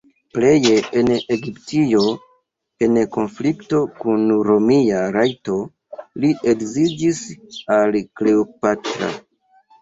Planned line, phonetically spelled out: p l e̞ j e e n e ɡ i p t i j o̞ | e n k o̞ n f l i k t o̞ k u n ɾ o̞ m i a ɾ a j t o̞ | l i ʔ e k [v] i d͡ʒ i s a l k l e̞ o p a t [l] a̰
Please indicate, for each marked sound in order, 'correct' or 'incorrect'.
incorrect: z, incorrect: ɾ

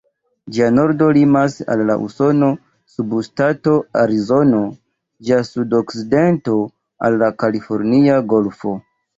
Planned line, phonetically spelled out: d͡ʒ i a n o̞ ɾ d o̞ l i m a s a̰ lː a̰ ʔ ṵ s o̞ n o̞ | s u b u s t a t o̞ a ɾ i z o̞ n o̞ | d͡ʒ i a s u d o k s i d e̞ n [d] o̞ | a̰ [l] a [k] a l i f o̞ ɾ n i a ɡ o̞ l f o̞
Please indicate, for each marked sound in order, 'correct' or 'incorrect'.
incorrect: t, incorrect: lː, correct

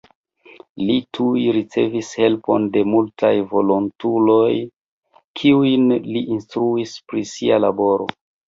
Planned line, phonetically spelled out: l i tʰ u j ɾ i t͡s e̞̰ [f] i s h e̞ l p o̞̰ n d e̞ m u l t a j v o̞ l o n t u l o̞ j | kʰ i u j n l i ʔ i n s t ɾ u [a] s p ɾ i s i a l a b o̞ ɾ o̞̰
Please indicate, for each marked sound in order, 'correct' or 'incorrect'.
incorrect: v, incorrect: i

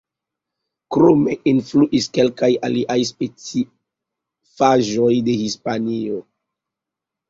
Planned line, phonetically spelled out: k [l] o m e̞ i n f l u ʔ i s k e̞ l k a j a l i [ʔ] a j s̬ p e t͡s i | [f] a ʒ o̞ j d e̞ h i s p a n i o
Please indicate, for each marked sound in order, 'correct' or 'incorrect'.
incorrect: ɾ, correct, correct

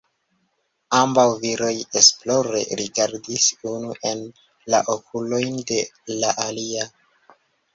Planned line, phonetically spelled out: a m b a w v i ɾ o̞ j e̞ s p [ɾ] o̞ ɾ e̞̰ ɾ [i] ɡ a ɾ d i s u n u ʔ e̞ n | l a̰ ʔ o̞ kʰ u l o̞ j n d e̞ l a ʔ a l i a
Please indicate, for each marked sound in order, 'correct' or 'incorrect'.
incorrect: l, correct

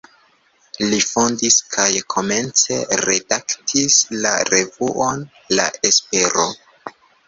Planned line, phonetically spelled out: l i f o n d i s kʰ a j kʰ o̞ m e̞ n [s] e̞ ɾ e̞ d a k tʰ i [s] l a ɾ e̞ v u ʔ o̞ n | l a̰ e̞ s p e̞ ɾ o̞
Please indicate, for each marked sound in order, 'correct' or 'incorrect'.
incorrect: t͡s, correct

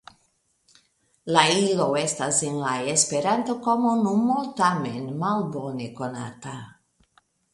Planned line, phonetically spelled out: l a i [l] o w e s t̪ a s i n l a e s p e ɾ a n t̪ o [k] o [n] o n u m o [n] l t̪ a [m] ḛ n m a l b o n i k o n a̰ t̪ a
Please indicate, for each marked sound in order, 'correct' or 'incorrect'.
correct, correct, incorrect: m, incorrect: none, correct

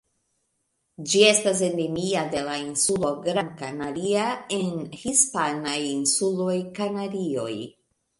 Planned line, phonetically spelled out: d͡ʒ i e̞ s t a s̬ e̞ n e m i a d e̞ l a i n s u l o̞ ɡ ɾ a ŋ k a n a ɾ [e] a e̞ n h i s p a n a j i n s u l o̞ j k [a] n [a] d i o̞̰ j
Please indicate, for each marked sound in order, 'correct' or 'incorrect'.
incorrect: i, correct, correct

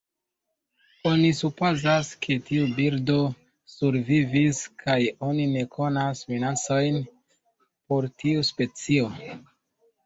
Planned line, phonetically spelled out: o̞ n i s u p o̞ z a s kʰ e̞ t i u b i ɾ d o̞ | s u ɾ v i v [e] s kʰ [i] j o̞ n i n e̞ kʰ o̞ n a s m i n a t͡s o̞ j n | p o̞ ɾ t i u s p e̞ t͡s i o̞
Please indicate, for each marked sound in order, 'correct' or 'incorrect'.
incorrect: i, incorrect: a

